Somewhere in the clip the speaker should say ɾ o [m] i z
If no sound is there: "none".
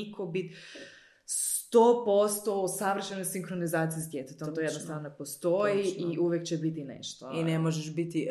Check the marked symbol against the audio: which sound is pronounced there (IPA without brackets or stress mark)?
n